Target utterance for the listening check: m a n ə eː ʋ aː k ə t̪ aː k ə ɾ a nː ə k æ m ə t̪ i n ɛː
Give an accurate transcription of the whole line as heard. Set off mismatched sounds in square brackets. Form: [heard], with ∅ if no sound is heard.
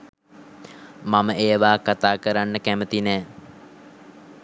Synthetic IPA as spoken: m a [m] ə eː ʋ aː k [a] t̪ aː k ə ɾ a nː ə k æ m ə t̪ i n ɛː